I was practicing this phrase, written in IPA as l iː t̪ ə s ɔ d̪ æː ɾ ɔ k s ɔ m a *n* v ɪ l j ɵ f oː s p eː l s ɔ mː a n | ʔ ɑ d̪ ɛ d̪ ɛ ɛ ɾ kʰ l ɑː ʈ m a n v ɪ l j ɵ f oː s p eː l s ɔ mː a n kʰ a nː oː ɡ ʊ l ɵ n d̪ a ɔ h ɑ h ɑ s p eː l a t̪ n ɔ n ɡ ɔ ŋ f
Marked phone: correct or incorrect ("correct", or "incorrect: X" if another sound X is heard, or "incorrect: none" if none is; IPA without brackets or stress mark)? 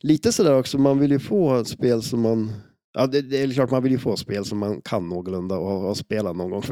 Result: correct